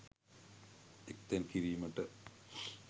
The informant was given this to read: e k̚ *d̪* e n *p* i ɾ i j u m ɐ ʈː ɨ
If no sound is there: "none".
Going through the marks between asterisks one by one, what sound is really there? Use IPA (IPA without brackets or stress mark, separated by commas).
t̪, k